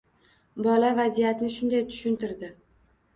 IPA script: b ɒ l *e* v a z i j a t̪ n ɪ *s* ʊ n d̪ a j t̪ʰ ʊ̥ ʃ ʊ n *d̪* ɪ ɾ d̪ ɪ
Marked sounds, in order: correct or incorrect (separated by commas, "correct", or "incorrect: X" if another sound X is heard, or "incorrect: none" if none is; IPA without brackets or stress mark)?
incorrect: a, incorrect: ʃ, incorrect: t̪